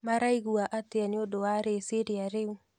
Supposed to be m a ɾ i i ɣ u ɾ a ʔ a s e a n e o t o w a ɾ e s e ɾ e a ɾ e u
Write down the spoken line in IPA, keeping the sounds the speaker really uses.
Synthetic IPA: m a ɾ a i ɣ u a ʔ a t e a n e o d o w a ɾ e s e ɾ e a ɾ e u

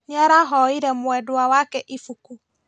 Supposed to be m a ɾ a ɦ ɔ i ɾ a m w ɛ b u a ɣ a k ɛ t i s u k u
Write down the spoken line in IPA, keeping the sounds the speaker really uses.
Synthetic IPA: ɲ a ɾ a ɦ ɔ i ɾ ɛ m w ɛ d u a w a k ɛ ʔ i f u k u

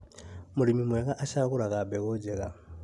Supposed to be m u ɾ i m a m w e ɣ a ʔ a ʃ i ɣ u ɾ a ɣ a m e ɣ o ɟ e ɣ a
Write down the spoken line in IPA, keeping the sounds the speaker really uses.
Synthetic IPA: m u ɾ i m i m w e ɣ a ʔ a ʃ a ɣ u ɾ a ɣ a b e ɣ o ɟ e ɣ a

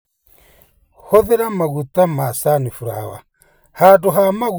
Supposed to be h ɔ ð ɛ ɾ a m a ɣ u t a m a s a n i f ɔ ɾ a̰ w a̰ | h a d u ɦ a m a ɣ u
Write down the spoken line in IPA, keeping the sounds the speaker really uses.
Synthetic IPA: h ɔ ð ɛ ɾ a m a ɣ u t a m a s a n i f u ɾ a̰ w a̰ | h a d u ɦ a m a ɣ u

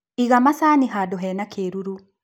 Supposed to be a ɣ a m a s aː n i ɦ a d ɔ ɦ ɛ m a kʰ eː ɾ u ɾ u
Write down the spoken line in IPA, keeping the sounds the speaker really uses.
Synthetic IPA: i ɣ a m a s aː n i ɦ a d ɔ ɦ ɛ n a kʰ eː ɾ u ɾ u

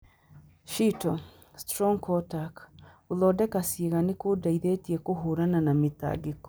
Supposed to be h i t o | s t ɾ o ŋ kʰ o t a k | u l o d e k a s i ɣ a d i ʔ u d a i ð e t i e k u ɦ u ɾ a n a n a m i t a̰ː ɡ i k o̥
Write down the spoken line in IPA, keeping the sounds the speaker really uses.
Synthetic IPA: ʃ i t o | s t ɾ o ŋ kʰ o t a k | u l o d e k a s i ɣ a n i k u d a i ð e t i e k u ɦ u ɾ a n a n a m i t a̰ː ɡ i k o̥

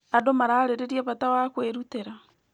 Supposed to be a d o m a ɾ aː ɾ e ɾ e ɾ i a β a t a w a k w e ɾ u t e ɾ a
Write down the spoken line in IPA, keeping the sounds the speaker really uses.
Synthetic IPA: a d o m a ɾ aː ɾ e ɾ e ɾ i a β a t a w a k w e ɾ u t e ɾ a

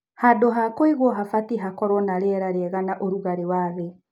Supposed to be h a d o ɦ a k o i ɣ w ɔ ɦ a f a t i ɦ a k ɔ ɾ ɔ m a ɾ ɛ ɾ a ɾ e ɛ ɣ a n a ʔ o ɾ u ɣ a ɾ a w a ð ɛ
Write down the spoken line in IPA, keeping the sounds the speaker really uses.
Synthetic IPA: h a d o ɦ a k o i ɣ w ɔ ɦ a f a t i ɦ a k ɔ ɾ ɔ n a ɾ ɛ ɾ a ɾ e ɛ ɣ a n a ʔ o ɾ u ɣ a ɾ e w a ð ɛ

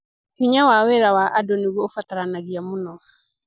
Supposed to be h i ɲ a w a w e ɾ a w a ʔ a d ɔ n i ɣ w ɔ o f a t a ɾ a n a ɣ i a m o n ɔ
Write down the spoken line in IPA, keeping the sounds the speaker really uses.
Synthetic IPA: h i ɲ a w a w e ɾ a w a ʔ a d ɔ n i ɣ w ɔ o f a t a ɾ a n a ɣ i a m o n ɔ

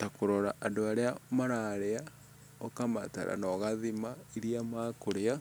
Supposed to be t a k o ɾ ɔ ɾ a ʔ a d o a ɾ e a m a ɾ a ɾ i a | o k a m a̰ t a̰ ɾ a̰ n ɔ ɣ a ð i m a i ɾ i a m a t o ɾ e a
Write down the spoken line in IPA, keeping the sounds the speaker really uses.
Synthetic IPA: t a k o ɾ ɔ ɾ a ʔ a d o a ɾ e a m a ɾ a ɾ e a | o k a m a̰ t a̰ ɾ a̰ n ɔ ɣ a ð i m a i ɾ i a m a k o ɾ e a

